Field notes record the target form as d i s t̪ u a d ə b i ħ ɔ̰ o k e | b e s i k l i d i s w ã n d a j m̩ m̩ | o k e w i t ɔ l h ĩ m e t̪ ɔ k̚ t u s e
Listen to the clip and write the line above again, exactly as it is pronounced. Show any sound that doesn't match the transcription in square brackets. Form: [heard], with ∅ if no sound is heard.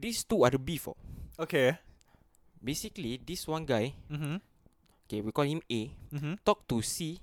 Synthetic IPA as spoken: d i s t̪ u a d ə b i [f] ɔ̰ o k e | b e s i k l i d i s w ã n [ɡ] a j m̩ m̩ | o k e w i [k] ɔ l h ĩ m e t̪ ɔ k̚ t u s [i]